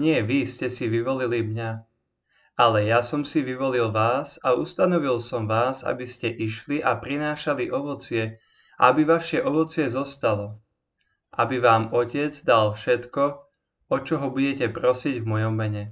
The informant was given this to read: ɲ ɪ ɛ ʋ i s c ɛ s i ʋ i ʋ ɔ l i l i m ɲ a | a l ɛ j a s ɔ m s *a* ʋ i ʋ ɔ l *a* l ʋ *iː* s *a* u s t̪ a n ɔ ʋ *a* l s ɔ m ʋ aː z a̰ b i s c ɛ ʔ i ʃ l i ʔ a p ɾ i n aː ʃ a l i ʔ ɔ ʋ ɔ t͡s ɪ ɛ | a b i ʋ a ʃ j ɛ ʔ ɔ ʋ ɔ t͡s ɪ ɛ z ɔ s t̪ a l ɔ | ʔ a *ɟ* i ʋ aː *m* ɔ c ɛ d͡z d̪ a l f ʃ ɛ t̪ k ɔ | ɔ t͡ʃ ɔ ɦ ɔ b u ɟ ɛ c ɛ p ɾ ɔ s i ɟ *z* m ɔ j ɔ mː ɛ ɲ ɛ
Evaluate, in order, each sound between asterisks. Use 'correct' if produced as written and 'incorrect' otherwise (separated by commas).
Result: incorrect, incorrect, incorrect, correct, incorrect, incorrect, correct, incorrect